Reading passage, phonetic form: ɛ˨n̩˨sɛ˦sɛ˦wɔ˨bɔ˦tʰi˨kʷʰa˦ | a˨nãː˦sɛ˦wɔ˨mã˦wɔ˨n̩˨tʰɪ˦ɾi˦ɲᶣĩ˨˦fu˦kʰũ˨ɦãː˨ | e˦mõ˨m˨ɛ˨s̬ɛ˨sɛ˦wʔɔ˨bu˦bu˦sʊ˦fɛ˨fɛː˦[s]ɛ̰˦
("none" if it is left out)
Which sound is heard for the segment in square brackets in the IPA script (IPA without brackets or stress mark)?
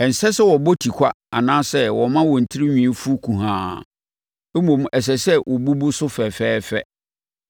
f